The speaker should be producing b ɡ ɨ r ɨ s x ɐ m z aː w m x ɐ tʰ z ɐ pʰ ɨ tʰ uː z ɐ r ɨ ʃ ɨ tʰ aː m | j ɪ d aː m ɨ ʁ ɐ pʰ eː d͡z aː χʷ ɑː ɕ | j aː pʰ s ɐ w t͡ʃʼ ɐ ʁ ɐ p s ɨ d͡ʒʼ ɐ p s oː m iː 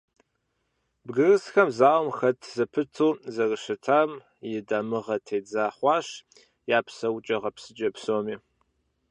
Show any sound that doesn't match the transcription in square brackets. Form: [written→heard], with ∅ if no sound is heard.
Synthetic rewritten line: b ɡ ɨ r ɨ s x ɐ m z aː w m x ɐ tʰ z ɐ pʰ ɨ tʰ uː z ɐ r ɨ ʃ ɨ tʰ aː m | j ɪ d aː m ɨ ʁ ɐ [pʰ→tʰ] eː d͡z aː χʷ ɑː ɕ | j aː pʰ s ɐ w t͡ʃʼ ɐ ʁ ɐ p s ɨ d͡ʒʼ ɐ p s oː m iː